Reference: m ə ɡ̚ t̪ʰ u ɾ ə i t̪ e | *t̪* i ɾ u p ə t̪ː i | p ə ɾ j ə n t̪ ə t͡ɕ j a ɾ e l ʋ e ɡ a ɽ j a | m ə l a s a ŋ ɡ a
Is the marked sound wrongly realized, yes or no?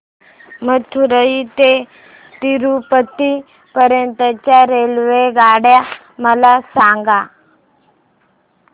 no